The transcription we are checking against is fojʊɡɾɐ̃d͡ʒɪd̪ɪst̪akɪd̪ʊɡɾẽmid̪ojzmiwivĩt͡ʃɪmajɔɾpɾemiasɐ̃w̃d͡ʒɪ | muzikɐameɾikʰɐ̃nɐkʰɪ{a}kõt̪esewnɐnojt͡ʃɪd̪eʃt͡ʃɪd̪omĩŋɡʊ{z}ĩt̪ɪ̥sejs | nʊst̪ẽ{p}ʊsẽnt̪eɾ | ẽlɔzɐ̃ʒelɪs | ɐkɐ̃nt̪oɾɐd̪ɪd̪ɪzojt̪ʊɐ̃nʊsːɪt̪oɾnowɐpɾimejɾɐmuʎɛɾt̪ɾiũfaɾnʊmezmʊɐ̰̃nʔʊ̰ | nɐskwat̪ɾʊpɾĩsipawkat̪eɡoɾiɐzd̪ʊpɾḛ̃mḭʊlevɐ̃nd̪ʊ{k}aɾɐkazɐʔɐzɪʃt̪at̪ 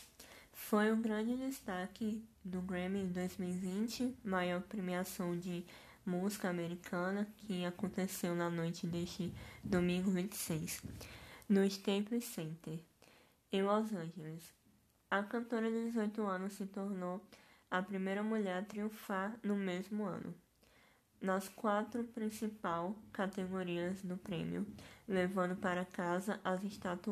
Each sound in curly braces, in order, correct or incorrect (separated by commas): correct, incorrect, correct, incorrect